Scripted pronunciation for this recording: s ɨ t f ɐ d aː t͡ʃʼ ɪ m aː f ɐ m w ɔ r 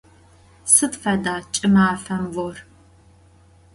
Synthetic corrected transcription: s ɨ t f ɐ d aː t͡ʃʼ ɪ m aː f ɐ m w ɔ r

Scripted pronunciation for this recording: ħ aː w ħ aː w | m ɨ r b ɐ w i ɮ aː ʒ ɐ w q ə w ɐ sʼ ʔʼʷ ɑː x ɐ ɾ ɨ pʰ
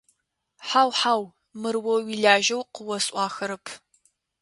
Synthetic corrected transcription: ħ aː w ħ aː w | m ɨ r w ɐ w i ɮ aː ʒ ɐ w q ə w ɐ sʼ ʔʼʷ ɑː x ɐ ɾ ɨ pʰ

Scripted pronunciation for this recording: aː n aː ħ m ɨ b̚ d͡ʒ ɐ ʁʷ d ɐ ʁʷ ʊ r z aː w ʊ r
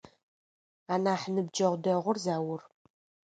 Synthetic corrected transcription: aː n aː ħ n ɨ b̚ d͡ʒ ɐ ʁʷ d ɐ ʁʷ ʊ r z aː w ʊ r

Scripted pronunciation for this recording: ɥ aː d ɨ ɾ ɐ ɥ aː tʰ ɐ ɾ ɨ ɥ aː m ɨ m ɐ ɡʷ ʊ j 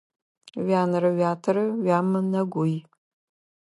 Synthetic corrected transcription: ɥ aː n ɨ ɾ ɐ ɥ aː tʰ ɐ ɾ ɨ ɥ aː m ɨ n ɐ ɡʷ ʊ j

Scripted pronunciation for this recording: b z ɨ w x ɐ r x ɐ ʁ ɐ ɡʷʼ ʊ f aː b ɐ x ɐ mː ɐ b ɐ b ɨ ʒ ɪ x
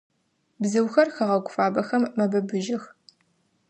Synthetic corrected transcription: b z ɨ w x ɐ r x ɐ ʁ ɐ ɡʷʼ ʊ f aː b ɐ x ɐ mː ɐ b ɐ b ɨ ʒ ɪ x

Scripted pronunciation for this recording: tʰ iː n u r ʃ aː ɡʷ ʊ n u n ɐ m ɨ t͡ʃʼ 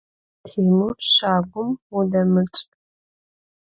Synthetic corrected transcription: tʰ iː m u r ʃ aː ɡʷ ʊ m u d ɐ m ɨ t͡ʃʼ

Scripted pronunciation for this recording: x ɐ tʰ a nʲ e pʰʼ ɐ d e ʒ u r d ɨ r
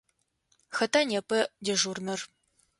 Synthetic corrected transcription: x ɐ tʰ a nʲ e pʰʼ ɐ d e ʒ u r n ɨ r

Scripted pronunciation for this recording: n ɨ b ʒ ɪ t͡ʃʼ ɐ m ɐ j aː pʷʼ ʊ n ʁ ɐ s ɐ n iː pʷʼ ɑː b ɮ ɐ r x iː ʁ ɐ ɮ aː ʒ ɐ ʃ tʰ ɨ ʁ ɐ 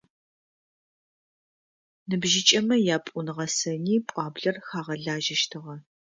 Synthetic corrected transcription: n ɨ b ʒ ɪ t͡ʃʼ ɐ m ɐ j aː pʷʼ ʊ n ʁ ɐ s ɐ n iː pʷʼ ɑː b ɮ ɐ r x aː ʁ ɐ ɮ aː ʒ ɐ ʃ tʰ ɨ ʁ ɐ

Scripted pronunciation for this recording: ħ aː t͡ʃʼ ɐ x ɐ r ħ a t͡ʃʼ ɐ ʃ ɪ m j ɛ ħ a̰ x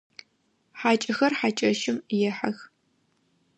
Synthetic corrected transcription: ħ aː t͡ʃʼ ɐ x ɐ r ħ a t͡ʃʼ ɐ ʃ ɪ m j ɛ ħ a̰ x

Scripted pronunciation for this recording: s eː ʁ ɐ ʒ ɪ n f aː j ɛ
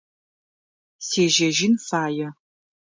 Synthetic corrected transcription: s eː ʒ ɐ ʒ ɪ n f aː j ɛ

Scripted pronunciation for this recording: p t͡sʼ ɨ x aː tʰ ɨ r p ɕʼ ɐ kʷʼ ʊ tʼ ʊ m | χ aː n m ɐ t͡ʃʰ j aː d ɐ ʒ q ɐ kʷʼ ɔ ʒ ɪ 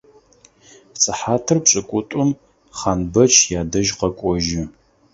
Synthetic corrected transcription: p t͡sʼ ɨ ħ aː tʰ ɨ r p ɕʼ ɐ kʷʼ ʊ tʼ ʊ m | χ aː n b ɐ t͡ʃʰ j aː d ɐ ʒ q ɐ kʷʼ ɔ ʒ ɪ

